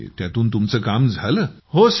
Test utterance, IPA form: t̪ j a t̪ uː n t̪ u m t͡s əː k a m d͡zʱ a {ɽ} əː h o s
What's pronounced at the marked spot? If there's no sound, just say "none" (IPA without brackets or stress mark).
l